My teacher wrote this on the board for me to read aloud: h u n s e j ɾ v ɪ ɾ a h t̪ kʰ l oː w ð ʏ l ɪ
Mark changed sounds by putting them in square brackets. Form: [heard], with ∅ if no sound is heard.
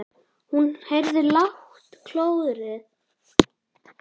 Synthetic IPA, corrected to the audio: h u n [h] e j ɾ [ð] ɪ [l] a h t̪ kʰ l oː w ð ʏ [ɾ] ɪ